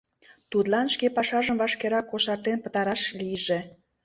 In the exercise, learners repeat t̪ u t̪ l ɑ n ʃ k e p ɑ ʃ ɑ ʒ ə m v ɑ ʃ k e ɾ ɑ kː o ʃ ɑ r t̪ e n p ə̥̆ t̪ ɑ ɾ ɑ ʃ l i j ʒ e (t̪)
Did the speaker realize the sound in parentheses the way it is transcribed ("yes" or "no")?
no